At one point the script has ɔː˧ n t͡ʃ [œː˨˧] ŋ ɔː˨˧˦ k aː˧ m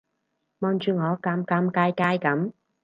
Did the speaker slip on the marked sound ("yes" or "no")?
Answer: yes